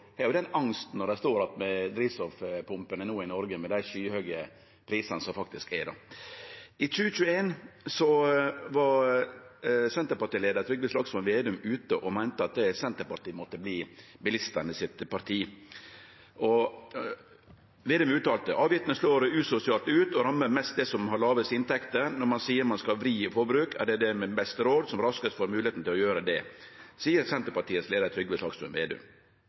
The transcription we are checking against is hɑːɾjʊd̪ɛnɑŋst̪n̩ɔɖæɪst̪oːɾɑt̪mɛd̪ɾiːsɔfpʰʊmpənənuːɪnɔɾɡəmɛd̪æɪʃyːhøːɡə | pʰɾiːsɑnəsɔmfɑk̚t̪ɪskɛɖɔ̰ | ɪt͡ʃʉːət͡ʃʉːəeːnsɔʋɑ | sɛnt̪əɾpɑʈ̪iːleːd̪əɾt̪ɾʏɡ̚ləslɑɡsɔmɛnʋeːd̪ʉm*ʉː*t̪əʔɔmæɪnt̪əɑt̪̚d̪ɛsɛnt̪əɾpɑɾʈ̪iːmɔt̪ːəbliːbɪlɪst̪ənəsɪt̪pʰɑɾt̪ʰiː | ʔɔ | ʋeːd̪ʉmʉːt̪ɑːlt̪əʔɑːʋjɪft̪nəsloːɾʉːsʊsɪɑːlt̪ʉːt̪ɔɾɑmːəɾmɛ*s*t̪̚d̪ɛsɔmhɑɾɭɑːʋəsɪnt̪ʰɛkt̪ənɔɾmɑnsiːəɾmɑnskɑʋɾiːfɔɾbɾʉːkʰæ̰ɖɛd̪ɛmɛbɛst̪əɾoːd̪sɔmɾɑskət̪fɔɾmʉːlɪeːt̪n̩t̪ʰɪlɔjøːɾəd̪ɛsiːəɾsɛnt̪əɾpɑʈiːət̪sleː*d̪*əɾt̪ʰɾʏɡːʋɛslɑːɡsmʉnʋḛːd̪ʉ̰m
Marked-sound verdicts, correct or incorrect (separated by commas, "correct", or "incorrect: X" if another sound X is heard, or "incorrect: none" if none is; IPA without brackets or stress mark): correct, correct, correct